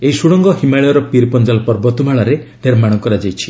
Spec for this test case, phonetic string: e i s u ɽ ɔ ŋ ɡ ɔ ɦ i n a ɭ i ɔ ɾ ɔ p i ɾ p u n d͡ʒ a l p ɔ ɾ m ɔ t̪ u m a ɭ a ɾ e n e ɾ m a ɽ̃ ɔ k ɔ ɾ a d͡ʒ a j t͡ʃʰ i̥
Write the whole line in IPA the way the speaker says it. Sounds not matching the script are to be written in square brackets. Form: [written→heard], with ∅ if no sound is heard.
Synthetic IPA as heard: e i s u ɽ ɔ ŋ ɡ ɔ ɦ i [n→m] a ɭ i ɔ ɾ ɔ p i ɾ p [u→ɔ] n d͡ʒ a l p ɔ ɾ [m→b] ɔ t̪ u m a ɭ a ɾ e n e ɾ m a ɽ̃ ɔ k ɔ ɾ a d͡ʒ a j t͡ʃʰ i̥